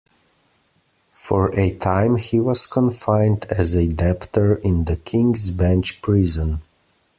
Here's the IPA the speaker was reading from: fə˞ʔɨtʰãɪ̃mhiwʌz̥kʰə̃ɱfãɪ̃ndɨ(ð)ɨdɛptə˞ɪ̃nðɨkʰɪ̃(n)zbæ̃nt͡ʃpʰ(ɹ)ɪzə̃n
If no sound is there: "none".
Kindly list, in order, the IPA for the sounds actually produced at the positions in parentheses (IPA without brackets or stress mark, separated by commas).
z, ŋ, ɹ